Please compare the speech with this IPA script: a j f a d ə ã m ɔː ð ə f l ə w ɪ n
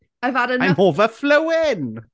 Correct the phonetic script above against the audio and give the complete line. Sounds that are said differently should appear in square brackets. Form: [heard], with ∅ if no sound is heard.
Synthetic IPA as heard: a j [v] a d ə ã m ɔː [v] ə f l ə w ɪ n